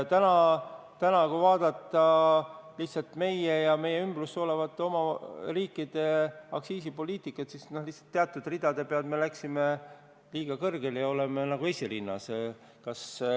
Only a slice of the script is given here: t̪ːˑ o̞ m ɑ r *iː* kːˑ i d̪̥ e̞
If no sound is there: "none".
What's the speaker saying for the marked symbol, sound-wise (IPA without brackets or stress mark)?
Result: iː